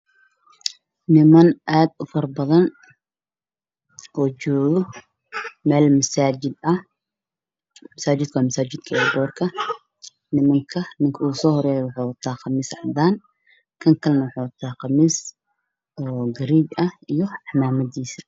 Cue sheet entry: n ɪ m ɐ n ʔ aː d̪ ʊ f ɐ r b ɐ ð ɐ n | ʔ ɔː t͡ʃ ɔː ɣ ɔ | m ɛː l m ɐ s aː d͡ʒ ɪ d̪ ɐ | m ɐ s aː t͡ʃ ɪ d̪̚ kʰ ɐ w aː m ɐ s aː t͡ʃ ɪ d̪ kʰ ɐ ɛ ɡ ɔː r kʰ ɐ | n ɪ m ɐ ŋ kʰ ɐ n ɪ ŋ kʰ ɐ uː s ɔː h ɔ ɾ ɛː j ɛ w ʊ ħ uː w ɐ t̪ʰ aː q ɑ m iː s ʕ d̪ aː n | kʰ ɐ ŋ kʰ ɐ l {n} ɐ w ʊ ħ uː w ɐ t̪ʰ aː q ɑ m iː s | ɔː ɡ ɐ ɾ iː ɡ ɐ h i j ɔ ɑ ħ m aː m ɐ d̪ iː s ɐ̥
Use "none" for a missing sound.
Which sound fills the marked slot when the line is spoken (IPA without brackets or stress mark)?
n